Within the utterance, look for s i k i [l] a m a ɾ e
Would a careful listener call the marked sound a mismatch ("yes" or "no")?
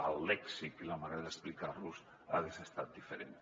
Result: no